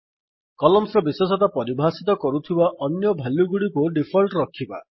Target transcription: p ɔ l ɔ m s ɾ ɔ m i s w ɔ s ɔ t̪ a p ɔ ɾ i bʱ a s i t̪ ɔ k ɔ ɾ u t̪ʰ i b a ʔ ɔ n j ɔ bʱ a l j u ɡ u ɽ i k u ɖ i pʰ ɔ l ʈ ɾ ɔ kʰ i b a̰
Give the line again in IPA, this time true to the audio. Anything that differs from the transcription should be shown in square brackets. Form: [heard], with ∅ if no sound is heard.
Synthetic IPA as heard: [k] ɔ l ɔ m s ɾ ɔ [b] i s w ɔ s ɔ t̪ a p ɔ ɾ i bʱ a s i t̪ ɔ k ɔ ɾ u t̪ʰ i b a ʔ ɔ n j ɔ bʱ a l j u ɡ u ɽ i k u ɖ i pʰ ɔ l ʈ ɾ ɔ kʰ i b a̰